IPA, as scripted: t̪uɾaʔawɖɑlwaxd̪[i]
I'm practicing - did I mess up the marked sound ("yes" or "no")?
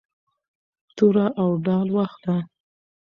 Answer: yes